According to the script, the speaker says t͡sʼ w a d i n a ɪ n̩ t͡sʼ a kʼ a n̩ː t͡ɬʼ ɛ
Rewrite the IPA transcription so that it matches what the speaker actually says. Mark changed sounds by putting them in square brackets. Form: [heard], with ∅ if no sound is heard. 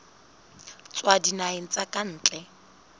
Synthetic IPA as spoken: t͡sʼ w a d i n a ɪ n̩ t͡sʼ a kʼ a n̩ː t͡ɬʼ ɛ